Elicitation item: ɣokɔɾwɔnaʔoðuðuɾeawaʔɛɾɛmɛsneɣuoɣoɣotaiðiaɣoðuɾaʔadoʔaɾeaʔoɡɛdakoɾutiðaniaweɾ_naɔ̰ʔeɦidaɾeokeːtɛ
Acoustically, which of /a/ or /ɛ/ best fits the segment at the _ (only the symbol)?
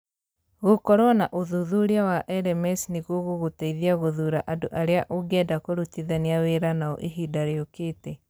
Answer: a